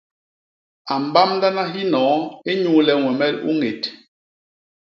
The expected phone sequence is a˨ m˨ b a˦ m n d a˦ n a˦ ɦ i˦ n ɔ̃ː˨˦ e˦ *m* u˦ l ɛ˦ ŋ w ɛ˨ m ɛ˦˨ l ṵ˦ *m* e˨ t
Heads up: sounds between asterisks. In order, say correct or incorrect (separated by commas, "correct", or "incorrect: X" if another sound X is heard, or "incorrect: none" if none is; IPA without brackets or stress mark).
incorrect: ɲ, incorrect: ŋ